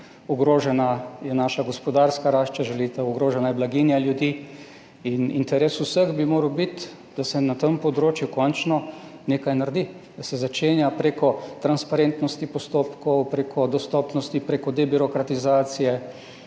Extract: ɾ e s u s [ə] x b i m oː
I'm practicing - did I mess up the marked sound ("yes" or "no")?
no